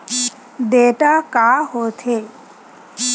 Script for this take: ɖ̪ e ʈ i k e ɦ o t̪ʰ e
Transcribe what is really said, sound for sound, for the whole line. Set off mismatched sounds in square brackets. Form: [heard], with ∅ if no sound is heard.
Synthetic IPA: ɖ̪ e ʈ [a] k [a] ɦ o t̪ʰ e